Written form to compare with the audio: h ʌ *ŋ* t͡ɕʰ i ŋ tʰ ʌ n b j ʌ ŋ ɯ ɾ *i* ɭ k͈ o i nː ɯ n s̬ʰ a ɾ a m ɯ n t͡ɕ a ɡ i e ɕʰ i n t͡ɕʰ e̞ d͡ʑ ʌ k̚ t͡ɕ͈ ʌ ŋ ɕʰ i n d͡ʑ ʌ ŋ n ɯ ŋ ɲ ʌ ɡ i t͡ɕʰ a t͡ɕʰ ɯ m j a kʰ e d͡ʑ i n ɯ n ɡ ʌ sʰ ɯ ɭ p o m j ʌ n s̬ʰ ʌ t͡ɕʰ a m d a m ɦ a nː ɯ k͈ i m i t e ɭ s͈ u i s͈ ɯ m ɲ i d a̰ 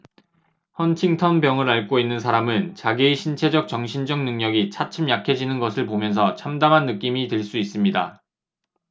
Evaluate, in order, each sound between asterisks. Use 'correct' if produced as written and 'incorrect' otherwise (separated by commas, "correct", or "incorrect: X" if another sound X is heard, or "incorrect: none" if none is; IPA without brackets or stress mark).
incorrect: n, incorrect: a